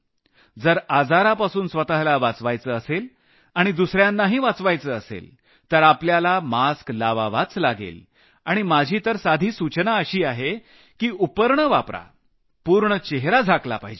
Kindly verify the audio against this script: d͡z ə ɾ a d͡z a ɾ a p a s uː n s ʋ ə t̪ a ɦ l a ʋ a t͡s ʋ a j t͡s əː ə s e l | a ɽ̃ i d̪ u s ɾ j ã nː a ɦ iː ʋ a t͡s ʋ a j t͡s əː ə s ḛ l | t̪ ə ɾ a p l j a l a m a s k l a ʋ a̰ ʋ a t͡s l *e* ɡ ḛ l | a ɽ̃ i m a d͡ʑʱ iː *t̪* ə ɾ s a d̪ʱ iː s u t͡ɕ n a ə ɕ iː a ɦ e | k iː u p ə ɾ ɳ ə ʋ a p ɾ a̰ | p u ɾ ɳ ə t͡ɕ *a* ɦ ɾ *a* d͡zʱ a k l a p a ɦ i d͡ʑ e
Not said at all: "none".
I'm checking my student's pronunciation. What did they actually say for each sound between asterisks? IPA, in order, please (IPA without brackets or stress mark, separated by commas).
a, t̪, e, a